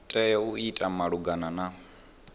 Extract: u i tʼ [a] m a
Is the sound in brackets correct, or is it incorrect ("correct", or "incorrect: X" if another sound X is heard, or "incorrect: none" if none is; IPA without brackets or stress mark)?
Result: correct